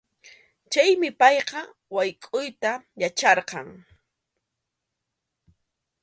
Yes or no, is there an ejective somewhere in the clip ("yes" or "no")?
yes